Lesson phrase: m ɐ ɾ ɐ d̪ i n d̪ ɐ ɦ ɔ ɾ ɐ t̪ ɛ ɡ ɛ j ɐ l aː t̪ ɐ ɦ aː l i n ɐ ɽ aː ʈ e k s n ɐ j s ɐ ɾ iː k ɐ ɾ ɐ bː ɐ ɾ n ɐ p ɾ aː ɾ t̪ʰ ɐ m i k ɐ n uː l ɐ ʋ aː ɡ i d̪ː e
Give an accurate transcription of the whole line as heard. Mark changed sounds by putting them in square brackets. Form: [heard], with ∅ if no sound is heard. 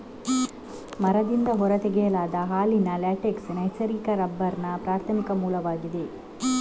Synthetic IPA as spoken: m ɐ ɾ ɐ d̪ i n d̪ ɐ ɦ ɔ ɾ ɐ t̪ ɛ ɡ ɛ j ɐ l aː [d̪] ɐ ɦ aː l i n ɐ [l] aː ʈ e k s n ɐ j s ɐ ɾ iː k ɐ ɾ ɐ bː ɐ ɾ n ɐ p ɾ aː ɾ t̪ʰ ɐ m i k ɐ [m] uː l ɐ ʋ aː ɡ i [d̪] e